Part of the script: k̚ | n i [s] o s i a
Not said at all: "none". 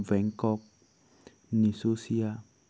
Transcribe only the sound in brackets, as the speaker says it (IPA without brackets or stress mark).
s